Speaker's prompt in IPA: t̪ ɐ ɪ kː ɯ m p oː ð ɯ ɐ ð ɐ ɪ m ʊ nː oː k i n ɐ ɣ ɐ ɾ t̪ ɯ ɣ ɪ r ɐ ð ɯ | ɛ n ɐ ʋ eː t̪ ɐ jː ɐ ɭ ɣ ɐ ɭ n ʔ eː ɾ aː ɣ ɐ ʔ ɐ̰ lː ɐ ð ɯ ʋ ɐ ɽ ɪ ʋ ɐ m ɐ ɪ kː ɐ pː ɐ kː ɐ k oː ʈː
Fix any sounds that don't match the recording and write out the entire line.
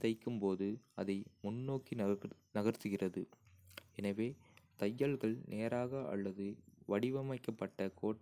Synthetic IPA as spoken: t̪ ɐ ɪ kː ɯ m p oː ð ɯ ɐ ð ɐ ɪ m ʊ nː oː k i n ɐ ɣ ɐ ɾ t̪ ɯ ɣ ɪ r ɐ ð ɯ | ɛ n ɐ ʋ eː t̪ ɐ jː ɐ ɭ ɣ ɐ ɭ n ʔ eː ɾ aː ɣ ɐ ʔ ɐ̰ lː ɐ ð ɯ ʋ ɐ ɽ ɪ ʋ ɐ m ɐ ɪ kː ɐ pː ɐ ʈː ɐ k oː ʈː